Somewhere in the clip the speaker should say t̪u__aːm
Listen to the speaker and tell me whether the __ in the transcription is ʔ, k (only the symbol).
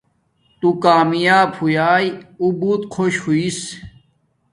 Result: k